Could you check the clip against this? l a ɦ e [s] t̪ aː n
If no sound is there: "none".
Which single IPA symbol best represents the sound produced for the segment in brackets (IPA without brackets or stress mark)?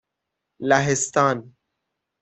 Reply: s